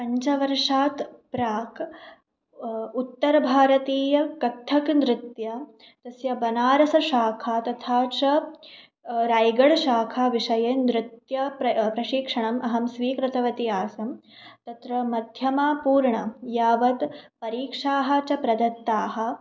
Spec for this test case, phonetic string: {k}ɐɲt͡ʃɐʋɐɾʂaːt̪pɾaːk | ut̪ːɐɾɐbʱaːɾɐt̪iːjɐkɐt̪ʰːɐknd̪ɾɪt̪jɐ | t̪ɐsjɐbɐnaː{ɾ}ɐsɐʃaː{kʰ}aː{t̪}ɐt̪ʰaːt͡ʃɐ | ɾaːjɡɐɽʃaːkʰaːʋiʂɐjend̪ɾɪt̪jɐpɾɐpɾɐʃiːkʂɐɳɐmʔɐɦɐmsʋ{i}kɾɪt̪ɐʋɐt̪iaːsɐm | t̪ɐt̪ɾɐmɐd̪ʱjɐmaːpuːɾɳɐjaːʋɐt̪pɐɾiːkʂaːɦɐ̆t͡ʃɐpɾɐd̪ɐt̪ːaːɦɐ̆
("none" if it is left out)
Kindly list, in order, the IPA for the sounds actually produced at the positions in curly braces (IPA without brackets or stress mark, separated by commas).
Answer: p, ɾ, kʰ, t̪, iː